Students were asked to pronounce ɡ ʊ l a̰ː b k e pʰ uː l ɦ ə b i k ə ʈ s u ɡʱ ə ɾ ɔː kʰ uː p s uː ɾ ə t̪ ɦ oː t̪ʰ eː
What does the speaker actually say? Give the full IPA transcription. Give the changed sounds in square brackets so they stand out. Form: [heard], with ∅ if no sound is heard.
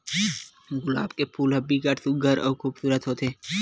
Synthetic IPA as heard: ɡ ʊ l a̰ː b k e pʰ uː l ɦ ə b i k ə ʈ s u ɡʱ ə ɾ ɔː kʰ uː [b] s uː ɾ ə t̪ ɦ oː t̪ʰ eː